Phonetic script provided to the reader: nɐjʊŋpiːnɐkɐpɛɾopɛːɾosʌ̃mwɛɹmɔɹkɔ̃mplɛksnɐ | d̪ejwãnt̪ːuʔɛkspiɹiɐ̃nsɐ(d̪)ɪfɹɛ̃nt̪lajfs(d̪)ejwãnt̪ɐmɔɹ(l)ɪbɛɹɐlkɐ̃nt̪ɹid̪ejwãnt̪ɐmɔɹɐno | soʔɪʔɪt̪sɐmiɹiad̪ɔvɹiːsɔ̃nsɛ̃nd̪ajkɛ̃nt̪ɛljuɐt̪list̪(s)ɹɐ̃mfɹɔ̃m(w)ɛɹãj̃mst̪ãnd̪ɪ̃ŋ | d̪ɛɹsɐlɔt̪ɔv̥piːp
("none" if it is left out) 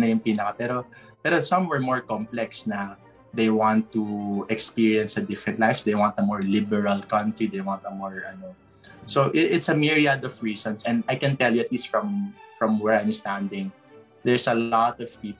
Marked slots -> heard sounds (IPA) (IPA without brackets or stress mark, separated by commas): d̪, d̪, l, f, w